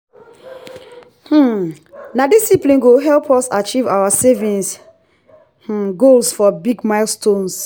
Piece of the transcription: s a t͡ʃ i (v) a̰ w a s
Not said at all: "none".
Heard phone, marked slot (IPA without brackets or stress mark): v